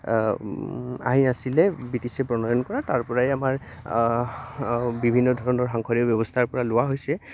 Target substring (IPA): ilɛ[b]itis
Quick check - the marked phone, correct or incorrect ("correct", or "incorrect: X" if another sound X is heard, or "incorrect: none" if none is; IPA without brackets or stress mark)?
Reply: correct